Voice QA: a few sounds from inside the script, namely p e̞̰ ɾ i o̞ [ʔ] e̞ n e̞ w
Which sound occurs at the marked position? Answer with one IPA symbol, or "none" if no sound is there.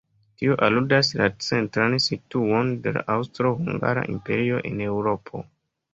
ʔ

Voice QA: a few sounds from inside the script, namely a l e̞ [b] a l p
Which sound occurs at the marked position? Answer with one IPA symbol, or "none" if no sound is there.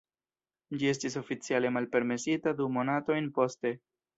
m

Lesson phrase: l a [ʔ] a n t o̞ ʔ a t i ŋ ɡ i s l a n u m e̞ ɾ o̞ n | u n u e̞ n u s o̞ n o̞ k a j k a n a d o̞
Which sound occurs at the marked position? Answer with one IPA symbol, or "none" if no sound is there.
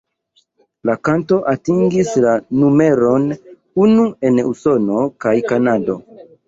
k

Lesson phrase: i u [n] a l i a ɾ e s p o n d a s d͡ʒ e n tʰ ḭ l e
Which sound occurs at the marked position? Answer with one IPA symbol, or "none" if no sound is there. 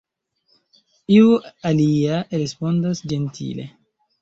none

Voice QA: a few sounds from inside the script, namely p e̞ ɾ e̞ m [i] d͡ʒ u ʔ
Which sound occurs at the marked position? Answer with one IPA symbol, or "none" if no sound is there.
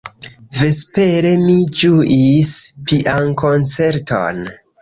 i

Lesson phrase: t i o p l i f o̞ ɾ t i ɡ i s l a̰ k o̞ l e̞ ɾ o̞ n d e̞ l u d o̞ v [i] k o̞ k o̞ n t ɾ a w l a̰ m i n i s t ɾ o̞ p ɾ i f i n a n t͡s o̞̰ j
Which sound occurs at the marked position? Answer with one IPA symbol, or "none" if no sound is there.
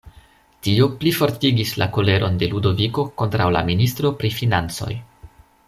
i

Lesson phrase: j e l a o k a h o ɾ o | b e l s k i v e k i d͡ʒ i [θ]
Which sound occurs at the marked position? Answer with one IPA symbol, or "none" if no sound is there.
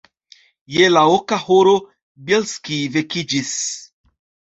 s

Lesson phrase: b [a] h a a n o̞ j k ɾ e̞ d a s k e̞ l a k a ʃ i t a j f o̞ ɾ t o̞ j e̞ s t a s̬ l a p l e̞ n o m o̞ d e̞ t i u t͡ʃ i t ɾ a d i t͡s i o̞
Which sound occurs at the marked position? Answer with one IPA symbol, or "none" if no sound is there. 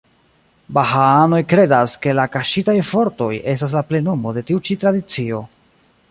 a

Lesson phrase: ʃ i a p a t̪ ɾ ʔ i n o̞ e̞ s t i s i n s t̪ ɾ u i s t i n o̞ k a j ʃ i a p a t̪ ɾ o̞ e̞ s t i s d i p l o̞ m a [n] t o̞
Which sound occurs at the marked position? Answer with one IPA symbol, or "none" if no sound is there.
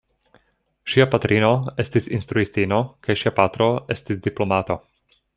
none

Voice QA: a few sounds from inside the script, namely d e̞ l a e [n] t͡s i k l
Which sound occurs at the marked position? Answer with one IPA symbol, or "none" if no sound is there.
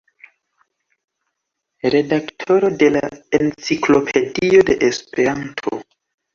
n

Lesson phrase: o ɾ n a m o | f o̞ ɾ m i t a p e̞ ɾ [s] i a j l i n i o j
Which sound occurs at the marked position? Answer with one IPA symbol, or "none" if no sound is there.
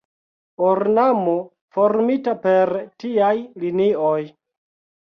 t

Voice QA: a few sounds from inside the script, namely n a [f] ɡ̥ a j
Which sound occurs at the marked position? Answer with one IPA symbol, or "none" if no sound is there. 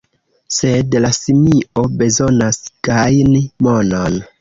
s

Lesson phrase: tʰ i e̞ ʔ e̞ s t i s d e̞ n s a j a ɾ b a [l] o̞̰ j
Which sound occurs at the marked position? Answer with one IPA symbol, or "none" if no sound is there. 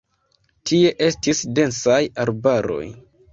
ɾ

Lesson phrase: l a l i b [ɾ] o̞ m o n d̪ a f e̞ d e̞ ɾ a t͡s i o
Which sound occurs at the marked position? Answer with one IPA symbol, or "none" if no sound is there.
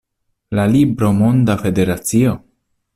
ɾ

